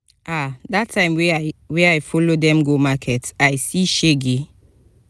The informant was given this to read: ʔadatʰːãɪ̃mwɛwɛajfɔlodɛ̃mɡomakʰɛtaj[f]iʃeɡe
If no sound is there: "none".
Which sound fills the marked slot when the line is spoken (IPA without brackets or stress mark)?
s